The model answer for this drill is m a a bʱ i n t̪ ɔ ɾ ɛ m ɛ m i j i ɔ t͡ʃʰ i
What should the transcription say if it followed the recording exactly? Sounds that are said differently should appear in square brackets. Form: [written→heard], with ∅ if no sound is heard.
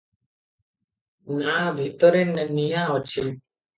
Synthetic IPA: [m→n] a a bʱ i [n→∅] t̪ ɔ ɾ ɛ [m→n] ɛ [m→n] i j [i→a] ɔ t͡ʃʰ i